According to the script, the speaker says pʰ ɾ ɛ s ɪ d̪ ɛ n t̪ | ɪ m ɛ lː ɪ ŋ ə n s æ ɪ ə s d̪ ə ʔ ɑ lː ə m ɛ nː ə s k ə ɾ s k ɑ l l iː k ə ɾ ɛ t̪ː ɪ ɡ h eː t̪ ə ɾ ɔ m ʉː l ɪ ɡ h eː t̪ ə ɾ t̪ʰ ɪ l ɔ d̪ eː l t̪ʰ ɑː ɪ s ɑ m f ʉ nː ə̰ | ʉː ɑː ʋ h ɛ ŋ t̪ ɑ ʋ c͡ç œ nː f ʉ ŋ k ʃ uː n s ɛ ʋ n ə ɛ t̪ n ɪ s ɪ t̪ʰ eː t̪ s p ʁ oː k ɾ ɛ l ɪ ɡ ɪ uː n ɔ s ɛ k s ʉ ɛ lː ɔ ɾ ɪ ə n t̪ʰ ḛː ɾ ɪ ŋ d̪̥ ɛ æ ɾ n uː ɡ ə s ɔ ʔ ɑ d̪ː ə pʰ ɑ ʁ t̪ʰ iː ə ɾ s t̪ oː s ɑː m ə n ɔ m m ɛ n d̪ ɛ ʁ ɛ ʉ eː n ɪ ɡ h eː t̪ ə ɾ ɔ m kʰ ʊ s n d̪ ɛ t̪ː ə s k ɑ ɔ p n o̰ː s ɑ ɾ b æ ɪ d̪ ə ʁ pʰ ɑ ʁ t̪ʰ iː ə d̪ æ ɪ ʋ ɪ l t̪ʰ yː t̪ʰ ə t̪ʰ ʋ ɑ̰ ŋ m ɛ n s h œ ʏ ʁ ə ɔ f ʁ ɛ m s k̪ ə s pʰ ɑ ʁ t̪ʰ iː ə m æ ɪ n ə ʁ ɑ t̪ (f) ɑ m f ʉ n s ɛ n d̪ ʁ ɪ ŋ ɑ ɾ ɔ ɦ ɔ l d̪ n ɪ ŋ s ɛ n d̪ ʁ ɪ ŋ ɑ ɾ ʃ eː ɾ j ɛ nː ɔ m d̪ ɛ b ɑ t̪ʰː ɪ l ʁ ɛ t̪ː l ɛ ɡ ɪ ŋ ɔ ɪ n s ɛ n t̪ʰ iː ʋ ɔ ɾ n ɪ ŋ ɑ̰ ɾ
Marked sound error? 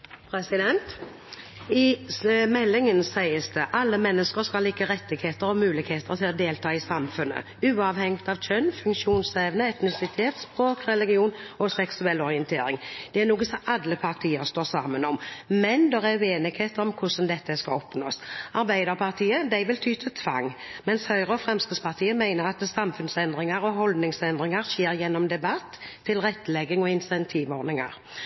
yes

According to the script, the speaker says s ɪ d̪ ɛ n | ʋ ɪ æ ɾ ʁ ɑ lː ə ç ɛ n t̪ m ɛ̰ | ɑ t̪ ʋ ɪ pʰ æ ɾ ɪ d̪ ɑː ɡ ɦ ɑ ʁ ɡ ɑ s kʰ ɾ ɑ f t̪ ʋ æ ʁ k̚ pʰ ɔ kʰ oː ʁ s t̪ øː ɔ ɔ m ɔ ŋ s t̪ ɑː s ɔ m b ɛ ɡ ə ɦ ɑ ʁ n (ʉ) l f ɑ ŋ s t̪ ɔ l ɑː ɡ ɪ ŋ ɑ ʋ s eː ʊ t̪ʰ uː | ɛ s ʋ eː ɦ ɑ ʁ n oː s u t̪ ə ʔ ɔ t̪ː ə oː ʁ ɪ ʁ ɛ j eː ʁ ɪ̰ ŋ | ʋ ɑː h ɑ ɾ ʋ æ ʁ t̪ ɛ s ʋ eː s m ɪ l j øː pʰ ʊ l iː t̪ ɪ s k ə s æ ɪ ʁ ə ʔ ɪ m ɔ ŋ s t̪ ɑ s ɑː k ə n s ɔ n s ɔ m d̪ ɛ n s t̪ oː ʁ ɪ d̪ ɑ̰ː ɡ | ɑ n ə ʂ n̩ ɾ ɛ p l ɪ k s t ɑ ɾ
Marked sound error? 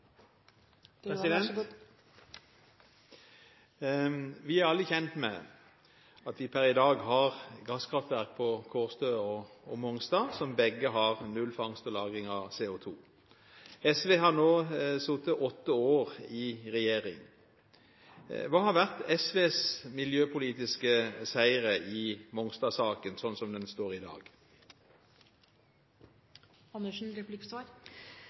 no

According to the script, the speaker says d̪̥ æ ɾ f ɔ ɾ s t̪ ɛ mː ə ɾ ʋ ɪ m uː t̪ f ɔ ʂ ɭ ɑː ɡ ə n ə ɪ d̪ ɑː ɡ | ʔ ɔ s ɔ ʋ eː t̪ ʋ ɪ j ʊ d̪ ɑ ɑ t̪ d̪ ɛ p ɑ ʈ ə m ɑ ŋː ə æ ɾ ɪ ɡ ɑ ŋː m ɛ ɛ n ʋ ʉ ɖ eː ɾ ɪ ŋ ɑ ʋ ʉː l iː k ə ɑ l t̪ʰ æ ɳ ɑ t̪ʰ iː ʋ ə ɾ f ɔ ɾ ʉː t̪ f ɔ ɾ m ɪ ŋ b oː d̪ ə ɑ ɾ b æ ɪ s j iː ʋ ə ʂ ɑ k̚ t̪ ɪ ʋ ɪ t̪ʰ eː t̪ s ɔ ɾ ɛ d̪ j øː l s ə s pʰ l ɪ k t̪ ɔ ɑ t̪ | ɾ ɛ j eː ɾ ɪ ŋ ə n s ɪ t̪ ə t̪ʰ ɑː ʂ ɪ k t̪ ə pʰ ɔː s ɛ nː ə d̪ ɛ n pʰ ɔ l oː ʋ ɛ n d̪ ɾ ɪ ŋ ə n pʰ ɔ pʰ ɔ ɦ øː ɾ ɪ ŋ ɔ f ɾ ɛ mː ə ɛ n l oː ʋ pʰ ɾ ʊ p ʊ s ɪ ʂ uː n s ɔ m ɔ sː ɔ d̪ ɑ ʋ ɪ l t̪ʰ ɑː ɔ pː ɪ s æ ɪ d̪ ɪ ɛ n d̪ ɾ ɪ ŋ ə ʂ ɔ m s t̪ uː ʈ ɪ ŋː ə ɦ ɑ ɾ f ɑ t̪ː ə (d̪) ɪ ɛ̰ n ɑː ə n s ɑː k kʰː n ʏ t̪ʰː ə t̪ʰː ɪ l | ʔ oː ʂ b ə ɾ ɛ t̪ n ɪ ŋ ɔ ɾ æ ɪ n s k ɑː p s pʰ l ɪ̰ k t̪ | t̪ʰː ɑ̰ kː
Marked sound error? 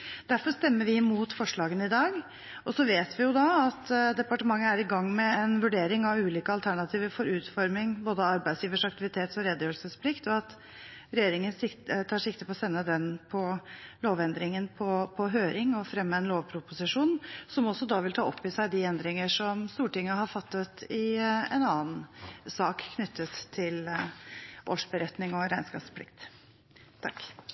yes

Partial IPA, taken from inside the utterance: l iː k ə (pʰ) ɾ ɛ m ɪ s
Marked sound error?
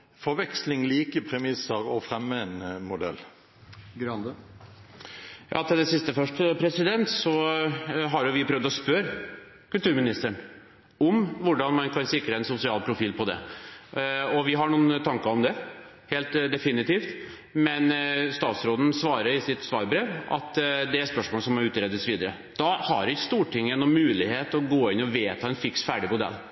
no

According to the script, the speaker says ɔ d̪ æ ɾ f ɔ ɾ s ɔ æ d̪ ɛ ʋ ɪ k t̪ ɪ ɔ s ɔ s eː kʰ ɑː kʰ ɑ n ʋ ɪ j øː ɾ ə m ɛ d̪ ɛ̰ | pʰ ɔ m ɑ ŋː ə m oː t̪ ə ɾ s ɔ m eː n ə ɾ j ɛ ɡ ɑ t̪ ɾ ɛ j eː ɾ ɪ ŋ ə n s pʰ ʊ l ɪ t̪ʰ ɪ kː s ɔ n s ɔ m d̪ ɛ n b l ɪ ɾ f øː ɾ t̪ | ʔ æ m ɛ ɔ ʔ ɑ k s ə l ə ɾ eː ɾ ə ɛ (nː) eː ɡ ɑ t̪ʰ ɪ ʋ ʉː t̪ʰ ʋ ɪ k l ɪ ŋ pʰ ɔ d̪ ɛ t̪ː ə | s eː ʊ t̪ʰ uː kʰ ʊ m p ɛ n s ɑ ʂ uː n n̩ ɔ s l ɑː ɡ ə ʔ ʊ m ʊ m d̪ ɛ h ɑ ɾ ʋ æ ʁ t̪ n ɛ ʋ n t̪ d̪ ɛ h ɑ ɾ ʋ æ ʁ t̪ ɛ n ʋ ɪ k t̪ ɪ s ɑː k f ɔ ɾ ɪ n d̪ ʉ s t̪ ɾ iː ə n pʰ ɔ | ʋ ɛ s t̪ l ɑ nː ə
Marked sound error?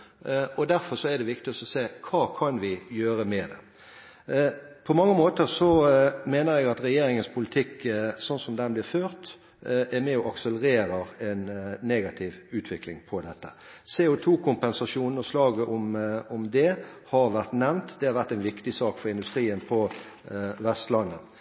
no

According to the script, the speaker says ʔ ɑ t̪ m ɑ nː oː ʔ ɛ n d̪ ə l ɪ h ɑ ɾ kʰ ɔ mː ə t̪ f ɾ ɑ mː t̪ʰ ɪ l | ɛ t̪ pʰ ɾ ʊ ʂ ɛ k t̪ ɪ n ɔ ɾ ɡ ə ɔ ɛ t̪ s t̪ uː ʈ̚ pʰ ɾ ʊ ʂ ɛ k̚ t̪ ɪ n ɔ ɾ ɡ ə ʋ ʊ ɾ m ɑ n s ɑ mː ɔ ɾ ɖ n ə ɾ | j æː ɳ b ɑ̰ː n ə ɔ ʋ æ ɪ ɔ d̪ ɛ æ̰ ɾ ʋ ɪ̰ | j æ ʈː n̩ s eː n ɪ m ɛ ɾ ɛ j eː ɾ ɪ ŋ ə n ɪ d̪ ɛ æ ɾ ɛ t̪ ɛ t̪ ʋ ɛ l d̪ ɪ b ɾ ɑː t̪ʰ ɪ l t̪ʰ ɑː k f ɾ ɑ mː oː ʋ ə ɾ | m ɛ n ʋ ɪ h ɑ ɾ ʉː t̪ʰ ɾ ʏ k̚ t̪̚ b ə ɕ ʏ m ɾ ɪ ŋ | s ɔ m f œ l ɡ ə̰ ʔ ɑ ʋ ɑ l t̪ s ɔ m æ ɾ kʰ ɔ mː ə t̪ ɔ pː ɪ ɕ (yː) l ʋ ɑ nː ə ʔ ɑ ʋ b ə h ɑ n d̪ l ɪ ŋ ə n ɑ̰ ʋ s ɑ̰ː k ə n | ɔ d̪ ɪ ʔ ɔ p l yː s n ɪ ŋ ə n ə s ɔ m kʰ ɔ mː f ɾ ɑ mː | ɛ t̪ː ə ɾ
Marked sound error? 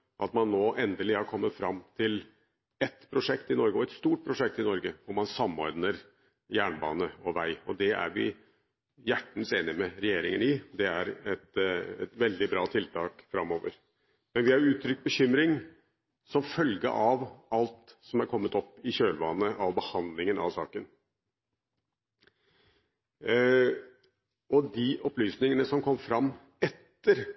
yes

